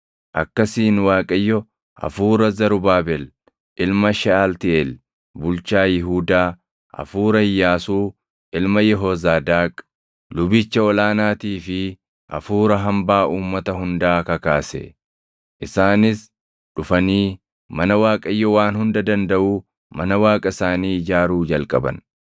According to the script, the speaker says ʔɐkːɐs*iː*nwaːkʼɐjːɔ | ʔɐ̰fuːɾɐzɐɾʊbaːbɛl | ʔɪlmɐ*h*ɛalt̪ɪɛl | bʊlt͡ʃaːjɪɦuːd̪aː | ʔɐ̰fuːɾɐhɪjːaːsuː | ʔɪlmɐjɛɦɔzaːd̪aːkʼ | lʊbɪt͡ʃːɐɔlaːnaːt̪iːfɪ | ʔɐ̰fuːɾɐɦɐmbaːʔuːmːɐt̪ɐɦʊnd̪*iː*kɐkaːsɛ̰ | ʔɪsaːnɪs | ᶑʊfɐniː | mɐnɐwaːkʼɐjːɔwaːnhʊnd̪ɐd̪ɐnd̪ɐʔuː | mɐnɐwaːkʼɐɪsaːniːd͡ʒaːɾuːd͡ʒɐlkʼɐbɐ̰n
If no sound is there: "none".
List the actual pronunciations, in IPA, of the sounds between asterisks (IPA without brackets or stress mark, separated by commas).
iː, ʃ, aː